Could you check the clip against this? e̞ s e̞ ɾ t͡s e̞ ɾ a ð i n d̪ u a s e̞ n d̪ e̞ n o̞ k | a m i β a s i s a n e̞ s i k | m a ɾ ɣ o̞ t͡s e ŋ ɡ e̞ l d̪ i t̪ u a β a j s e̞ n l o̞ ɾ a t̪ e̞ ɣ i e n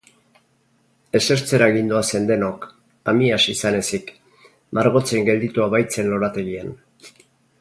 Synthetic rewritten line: e̞ s e̞ ɾ t͡s e̞ ɾ a ɣ i n d̪ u a s e̞ n d̪ e̞ n o̞ k | a m i a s i s a n e̞ s i k | m a ɾ ɣ o̞ t͡s e ŋ ɡ e̞ l d̪ i t̪ u a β a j t͡s e̞ n l o̞ ɾ a t̪ e̞ ɣ i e n